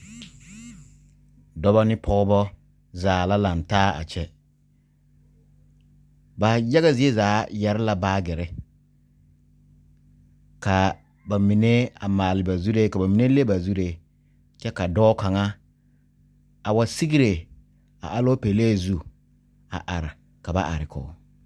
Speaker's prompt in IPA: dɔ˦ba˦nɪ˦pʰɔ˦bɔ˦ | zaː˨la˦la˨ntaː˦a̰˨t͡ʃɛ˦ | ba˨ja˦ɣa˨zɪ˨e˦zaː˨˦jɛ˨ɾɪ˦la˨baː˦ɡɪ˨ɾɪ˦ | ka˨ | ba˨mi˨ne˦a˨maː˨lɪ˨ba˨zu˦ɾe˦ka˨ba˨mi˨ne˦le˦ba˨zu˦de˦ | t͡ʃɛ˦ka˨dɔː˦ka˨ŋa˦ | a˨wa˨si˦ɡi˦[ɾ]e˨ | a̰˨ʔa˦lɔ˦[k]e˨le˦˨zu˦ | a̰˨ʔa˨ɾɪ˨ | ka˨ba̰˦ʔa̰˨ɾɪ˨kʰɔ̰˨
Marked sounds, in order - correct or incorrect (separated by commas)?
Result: correct, incorrect